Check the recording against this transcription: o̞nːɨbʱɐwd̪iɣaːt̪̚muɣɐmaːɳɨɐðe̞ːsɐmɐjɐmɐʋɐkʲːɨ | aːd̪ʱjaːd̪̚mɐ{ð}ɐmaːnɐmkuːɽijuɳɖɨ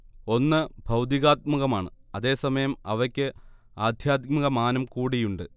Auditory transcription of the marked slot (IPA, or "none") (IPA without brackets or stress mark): ɣ